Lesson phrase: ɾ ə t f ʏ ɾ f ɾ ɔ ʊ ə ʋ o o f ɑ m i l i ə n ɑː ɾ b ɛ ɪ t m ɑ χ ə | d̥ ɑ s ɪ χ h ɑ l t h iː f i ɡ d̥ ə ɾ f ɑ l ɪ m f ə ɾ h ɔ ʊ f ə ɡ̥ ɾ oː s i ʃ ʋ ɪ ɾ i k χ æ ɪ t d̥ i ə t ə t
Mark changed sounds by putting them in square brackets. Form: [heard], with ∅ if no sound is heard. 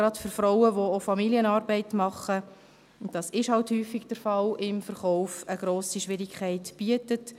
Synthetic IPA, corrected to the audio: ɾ [ɑ] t f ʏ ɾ f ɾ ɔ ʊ ə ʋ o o f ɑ m i l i ə n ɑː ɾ b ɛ ɪ t m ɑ χ ə | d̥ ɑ s ɪ [ʃ] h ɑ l t h [yː] f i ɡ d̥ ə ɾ f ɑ l ɪ m f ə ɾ [χ] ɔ ʊ f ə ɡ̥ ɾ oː s i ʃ ʋ ɪ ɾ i k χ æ ɪ t [b̥] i ə t ə t